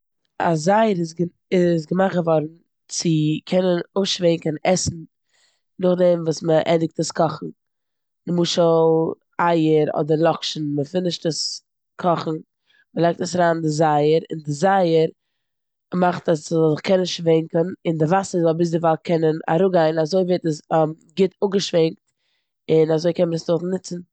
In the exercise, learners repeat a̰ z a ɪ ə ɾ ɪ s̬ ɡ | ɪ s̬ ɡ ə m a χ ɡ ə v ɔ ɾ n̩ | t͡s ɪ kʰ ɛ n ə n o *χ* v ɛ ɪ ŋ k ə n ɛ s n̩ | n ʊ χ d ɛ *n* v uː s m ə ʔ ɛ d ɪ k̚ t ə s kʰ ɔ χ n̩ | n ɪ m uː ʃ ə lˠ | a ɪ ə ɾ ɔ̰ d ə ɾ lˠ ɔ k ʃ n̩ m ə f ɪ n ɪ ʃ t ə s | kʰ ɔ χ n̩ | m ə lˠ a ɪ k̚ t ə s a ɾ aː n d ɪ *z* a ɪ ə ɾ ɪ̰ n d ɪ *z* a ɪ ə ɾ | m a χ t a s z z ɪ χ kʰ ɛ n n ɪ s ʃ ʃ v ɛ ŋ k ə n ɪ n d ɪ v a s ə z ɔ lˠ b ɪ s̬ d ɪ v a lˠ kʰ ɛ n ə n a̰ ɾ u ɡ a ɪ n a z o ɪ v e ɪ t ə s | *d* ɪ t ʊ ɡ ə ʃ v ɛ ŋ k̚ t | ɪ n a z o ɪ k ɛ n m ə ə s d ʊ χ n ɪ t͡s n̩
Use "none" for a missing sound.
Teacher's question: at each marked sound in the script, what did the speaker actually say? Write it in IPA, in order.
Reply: ʃ, m, z, z, ɡ

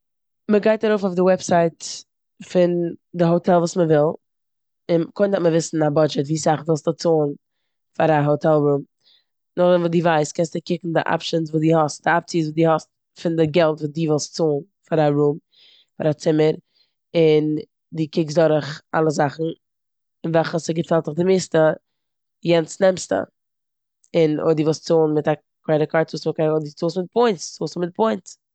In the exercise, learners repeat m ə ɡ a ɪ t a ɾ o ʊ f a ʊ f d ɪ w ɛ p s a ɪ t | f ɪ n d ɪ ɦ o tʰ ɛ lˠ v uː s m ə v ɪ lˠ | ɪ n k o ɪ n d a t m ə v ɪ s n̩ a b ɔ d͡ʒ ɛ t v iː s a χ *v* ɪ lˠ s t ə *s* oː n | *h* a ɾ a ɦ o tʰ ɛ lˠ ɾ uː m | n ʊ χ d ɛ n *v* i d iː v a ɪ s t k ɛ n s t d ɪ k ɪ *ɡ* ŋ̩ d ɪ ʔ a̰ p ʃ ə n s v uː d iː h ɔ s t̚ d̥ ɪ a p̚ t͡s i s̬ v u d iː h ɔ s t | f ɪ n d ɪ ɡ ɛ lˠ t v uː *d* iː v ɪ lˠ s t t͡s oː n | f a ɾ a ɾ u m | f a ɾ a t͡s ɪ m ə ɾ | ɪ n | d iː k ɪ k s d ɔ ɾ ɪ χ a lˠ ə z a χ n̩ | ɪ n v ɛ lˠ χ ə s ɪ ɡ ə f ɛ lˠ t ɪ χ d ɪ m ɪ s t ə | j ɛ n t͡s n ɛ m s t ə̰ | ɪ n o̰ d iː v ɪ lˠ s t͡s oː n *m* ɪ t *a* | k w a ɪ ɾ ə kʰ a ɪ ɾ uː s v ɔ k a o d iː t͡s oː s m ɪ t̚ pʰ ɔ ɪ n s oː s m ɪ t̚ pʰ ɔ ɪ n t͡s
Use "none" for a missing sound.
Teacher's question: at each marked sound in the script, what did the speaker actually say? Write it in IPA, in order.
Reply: v, t͡s, f, v, k, d, m, a

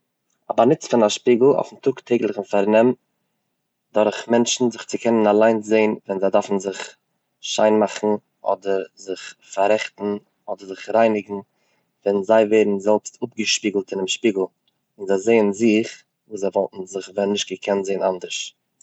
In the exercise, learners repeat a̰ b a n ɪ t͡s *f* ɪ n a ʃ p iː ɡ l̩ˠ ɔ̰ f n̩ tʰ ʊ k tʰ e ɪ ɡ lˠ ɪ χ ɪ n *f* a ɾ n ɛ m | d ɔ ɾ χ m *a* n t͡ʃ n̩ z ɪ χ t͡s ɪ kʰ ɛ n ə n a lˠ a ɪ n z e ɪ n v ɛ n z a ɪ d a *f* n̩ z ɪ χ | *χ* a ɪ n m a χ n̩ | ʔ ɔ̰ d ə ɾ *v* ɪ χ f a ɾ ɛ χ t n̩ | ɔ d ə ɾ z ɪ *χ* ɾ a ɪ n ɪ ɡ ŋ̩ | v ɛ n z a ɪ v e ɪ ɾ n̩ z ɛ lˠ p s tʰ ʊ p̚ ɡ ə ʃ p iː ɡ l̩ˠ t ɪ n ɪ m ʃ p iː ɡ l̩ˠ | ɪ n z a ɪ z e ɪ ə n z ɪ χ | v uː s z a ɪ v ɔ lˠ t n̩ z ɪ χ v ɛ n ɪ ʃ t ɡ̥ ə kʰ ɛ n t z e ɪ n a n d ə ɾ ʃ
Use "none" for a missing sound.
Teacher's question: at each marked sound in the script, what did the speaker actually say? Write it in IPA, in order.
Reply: f, f, ɛ, f, ʃ, z, χ

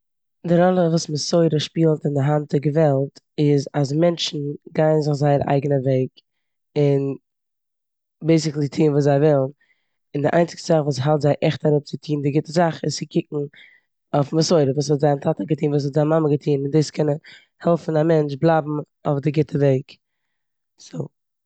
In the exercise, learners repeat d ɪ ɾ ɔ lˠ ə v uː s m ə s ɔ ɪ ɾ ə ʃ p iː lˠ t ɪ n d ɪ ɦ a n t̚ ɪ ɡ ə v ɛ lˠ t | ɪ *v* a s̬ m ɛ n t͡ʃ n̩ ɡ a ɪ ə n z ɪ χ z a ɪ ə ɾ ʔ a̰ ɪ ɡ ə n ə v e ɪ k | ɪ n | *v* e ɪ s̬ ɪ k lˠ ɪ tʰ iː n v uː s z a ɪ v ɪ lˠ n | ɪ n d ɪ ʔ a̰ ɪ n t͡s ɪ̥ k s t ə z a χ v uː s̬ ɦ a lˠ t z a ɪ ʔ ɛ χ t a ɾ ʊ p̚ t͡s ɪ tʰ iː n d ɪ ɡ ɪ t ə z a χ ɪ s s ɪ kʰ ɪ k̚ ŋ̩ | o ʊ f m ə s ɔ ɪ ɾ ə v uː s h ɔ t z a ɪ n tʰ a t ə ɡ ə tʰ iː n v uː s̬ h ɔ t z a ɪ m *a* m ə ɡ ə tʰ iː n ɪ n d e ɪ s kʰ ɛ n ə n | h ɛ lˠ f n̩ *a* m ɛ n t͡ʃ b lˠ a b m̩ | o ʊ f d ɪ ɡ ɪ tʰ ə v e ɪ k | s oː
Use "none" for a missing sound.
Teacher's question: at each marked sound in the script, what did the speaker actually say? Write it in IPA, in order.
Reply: z, b, a, a

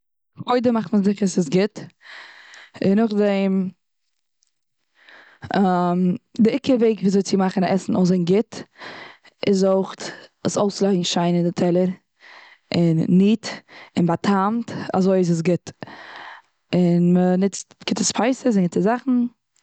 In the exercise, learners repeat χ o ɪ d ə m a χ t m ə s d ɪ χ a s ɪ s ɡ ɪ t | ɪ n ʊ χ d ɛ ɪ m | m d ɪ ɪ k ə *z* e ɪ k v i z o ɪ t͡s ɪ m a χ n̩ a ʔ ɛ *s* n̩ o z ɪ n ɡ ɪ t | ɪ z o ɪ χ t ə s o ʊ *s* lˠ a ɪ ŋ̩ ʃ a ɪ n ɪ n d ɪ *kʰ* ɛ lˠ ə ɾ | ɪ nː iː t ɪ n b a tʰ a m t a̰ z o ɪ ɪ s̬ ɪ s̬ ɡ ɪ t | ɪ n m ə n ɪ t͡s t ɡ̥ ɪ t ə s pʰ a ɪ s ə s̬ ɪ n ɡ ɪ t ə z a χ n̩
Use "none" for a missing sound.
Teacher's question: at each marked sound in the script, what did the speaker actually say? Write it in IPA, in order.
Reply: v, s, s, tʰ

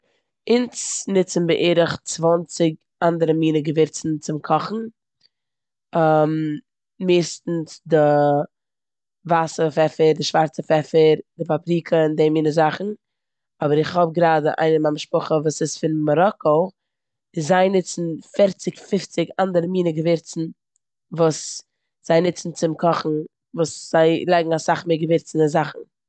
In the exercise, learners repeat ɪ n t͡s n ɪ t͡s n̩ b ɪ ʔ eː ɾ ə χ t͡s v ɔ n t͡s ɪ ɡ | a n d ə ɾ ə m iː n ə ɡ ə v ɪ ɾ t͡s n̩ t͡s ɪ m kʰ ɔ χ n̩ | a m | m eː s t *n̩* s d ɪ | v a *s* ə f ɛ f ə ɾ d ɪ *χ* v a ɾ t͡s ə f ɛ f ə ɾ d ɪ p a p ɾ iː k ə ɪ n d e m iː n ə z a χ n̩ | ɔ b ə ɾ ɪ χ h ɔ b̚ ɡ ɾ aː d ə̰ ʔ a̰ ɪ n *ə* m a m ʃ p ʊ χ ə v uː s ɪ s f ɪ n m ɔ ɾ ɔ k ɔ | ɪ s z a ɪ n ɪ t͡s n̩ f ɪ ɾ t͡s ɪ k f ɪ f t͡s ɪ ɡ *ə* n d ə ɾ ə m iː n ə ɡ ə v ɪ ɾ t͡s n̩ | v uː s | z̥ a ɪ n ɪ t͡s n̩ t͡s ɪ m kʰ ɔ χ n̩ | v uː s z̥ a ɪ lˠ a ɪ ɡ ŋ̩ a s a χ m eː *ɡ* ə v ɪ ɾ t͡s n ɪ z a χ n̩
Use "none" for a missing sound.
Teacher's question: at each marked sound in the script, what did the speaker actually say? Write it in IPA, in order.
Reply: n̩, s, ʃ, ə, a, ɡ

